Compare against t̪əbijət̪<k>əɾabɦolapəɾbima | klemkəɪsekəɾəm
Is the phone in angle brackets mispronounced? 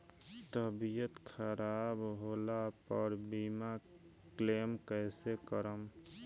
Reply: yes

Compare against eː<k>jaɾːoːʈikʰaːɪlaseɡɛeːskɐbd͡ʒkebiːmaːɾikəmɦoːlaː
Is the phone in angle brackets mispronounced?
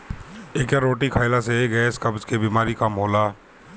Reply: no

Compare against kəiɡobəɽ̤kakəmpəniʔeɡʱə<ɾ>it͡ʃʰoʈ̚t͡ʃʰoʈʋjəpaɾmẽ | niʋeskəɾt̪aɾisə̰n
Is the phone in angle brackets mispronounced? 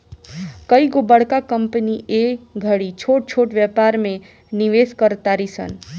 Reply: yes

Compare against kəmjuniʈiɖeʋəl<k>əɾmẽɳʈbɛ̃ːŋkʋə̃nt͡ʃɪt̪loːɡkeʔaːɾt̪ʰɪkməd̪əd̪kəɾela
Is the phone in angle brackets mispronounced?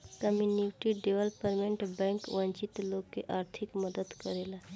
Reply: yes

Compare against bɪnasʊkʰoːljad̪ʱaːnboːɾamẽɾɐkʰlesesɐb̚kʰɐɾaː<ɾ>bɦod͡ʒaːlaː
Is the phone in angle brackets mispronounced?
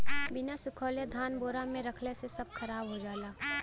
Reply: yes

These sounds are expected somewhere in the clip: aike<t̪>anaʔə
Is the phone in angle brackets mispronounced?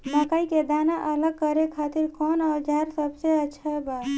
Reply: yes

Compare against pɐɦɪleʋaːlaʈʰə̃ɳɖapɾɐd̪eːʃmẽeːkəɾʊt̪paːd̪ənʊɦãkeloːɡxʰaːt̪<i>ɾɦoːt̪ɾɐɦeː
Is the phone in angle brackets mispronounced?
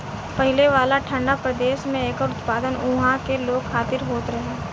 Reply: yes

